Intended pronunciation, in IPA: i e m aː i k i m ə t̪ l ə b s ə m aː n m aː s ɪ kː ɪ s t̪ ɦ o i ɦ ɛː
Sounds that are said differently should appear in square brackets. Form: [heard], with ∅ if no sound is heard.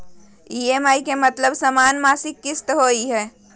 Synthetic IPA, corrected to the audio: i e m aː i k [e] m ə t̪ l ə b s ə m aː n m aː s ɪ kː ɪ s t̪ ɦ o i ɦ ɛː